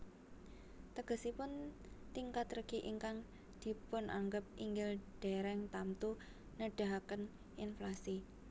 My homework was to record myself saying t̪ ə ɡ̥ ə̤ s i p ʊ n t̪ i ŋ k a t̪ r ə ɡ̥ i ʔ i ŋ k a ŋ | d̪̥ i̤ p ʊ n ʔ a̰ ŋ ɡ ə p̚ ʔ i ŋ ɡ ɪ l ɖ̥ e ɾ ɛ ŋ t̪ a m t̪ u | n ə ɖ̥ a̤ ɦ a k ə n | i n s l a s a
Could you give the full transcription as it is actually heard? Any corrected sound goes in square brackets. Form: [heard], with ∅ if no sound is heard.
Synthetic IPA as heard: t̪ ə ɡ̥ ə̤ s i p ʊ n t̪ i ŋ k a t̪ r ə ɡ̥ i ʔ i ŋ k a ŋ | d̪̥ i̤ p ʊ n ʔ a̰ ŋ ɡ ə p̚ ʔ i ŋ ɡ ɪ l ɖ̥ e ɾ ɛ ŋ t̪ a m t̪ u | n ə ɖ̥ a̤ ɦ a k ə n | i n [f] l a s [i]